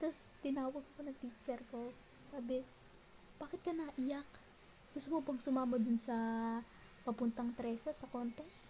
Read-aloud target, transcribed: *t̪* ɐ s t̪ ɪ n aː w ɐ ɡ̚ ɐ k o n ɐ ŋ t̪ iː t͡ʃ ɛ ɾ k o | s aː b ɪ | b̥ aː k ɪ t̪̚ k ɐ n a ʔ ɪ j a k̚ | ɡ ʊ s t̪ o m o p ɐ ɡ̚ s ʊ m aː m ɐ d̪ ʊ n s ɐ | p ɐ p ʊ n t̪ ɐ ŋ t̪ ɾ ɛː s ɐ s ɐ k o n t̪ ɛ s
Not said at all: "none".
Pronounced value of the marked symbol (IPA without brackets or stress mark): t̪